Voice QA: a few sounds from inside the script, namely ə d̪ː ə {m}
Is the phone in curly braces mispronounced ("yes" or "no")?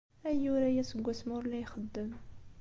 no